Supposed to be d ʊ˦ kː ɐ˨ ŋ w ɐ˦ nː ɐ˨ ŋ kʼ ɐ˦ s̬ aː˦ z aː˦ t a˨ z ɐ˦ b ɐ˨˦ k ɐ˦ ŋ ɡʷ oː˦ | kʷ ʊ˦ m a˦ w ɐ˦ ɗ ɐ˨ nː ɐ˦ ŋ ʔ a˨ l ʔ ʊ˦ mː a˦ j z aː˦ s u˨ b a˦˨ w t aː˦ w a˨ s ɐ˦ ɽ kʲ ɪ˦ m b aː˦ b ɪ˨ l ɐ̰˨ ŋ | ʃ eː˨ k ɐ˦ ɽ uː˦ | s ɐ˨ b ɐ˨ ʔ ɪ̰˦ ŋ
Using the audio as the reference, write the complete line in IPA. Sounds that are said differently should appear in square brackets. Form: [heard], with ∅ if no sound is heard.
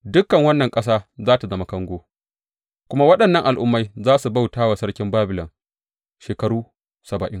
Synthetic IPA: d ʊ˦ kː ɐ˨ ŋ w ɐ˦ nː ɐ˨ ŋ kʼ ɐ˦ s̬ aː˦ z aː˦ t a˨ z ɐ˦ [m] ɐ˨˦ k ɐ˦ ŋ ɡʷ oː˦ | kʷ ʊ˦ m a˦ w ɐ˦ ɗ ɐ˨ nː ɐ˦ ŋ ʔ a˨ l ʔ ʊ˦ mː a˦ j z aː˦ s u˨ b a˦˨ w t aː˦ w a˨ s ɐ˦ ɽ kʲ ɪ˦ m b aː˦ b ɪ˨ l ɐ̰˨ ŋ | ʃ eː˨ k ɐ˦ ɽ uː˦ | s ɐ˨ b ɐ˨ ʔ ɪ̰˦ ŋ